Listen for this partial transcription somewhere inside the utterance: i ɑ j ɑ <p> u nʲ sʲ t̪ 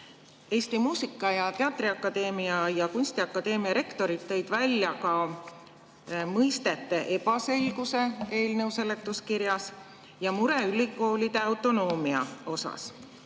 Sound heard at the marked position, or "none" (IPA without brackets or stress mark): k